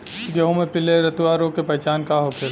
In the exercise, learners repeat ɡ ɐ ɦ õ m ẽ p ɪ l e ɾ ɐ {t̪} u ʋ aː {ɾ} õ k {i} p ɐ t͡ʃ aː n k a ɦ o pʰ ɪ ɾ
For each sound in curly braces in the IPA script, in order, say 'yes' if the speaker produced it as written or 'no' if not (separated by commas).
yes, yes, no